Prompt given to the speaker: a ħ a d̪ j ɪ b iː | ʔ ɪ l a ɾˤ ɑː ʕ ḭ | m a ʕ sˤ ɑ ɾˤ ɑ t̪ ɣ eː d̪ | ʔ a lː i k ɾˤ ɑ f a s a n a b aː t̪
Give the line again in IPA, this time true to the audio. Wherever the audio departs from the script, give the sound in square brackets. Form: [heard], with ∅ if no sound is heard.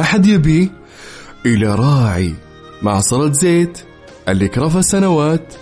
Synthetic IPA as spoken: a ħ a d̪ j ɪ b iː | ʔ ɪ l a ɾˤ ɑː ʕ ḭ | m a ʕ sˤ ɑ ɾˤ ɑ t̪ [z] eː [t̪] | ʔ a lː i k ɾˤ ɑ f a s a n a [w] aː t̪